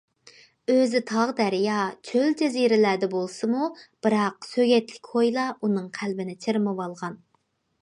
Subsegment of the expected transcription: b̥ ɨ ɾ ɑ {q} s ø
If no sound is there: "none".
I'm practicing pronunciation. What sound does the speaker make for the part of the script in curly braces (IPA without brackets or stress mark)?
q